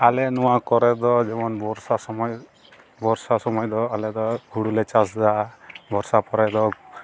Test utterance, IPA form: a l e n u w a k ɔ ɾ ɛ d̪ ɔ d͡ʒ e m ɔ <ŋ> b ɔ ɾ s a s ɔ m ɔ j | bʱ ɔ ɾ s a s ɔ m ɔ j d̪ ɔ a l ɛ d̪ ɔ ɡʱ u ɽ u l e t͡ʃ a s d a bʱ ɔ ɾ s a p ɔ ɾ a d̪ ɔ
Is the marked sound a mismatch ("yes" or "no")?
yes